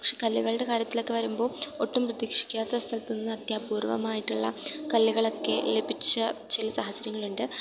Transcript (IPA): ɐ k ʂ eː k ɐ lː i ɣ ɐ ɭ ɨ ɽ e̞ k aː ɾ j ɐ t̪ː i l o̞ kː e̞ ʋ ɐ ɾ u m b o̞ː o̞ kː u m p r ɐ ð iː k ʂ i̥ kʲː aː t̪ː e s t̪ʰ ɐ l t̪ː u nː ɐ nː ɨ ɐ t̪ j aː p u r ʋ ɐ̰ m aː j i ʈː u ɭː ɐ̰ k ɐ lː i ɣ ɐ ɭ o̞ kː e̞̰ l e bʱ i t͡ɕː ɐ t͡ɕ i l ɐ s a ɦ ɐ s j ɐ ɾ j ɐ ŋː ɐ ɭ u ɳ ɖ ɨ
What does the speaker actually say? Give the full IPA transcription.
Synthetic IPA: ɐ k ʂ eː k ɐ lː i ɣ ɐ ɭ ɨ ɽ e̞ k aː ɾ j ɐ t̪ː i l o̞ kː e̞ ʋ ɐ ɾ u m b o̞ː o̞ ʈː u m p r ɐ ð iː k ʂ i̥ kʲː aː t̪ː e s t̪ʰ ɐ l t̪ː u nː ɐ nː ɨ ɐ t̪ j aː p uː r ʋ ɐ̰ m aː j i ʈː u ɭː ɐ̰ k ɐ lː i ɣ ɐ ɭ o̞ kː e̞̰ l e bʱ i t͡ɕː ɐ t͡ɕ i l ɐ s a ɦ ɐ s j ɐ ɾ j ɐ ŋː ɐ ɭ u ɳ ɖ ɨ

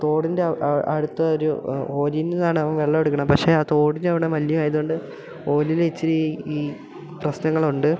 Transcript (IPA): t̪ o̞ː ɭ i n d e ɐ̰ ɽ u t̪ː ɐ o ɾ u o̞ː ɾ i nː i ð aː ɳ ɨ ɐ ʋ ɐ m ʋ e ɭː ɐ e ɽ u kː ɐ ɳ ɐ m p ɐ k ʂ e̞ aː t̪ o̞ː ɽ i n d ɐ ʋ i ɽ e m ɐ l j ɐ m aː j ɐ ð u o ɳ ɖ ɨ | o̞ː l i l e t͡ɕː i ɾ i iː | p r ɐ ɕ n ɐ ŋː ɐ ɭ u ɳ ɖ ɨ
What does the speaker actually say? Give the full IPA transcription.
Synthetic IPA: t̪ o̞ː ɽ i n d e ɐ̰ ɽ u t̪ː ɐ o ɾ u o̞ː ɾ i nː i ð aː ɳ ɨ ɐ ʋ ɐ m ʋ e ɭː ɐ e ɽ u kː ɐ ɳ ɐ m p ɐ k ʂ e̞ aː t̪ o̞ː ɽ i n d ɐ ʋ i ɽ e m ɐ l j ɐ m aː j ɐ ð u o ɳ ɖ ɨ | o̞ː l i l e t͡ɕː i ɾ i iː | p r ɐ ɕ n ɐ ŋː ɐ ɭ u ɳ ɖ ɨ

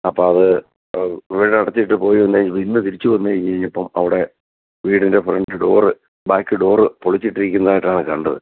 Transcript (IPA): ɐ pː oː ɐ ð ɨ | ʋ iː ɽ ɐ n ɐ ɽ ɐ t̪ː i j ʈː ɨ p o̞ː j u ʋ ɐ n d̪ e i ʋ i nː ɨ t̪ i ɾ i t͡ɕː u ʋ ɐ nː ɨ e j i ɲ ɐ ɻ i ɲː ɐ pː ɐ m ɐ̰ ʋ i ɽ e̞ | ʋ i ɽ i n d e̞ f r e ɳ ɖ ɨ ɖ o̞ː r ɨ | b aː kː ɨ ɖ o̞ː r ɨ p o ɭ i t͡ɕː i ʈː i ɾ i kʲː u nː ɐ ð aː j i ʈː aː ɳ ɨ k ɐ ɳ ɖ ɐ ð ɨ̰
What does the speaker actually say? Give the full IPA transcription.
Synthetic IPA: ɐ pː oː ɐ ð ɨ | ʋ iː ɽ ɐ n ɐ ɽ ɐ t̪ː i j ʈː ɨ p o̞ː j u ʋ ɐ n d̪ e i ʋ i nː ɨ t̪ i ɾ i t͡ɕː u ʋ ɐ nː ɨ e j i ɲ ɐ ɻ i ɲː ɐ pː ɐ m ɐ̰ ʋ i ɽ e̞ | ʋ iː ɽ i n d e̞ f r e ɳ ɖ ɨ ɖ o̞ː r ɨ | b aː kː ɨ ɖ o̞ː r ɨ p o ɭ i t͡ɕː i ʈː i ɾ i kʲː u nː ɐ ð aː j i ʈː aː ɳ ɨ k ɐ ɳ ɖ ɐ ð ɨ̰

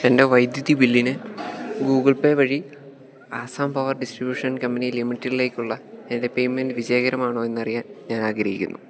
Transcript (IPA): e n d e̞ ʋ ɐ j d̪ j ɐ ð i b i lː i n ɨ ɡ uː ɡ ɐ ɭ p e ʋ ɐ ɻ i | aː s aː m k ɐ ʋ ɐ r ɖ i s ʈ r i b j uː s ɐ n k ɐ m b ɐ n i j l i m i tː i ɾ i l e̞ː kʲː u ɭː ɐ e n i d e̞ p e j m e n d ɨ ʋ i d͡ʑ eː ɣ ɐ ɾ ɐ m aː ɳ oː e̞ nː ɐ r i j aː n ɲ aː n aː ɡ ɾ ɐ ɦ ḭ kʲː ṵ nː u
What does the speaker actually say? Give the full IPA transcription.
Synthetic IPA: e n d e̞ ʋ ɐ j d̪ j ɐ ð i b i lː i n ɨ ɡ uː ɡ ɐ ɭ p e ʋ ɐ ɻ i | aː s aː m p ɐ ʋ ɐ r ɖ i s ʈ r i b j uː ʂ ɐ n k ɐ m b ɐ n i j l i m i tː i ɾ i l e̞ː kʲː u ɭː ɐ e n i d e̞ p e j m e n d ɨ ʋ i d͡ʑ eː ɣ ɐ ɾ ɐ m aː ɳ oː e̞ nː ɐ r i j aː n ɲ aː n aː ɡ ɾ ɐ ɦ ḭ kʲː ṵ nː u

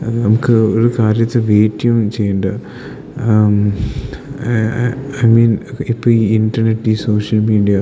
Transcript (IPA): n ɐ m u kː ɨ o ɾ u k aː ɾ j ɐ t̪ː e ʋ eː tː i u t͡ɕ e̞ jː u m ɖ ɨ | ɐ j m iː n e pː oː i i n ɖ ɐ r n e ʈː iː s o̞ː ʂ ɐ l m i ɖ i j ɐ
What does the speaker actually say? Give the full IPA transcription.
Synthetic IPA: n ɐ m u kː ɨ o ɾ u k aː ɾ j ɐ t̪ː e ʋ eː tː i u t͡ɕ e̞ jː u ɳ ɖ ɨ | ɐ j m iː n i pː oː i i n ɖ ɐ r n e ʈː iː s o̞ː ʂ ɐ l m iː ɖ i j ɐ

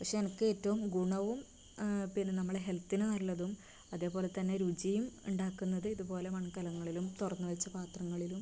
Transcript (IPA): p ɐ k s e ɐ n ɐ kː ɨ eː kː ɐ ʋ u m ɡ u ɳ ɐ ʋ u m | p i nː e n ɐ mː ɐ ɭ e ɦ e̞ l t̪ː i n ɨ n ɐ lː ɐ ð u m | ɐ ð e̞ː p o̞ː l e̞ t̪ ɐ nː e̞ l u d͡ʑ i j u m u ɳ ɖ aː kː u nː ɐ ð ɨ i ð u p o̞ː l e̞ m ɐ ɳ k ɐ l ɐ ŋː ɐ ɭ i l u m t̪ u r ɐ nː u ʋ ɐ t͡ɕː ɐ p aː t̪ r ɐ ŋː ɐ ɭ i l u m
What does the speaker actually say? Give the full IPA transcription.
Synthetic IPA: p ɐ k ʂ e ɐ n ɐ kː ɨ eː tː ɐ ʋ u m ɡ u ɳ ɐ ʋ u m | p i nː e n ɐ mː ɐ ɭ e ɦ e̞ l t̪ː i n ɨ n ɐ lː ɐ ð u m | ɐ ð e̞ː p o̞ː l e̞ t̪ ɐ nː e̞ ɾ u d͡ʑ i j u m u ɳ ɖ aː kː u nː ɐ ð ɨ i ð u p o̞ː l e̞ m ɐ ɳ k ɐ l ɐ ŋː ɐ ɭ i l u m t̪ u r ɐ nː u ʋ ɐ t͡ɕː ɐ p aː t̪ r ɐ ŋː ɐ ɭ i l u m

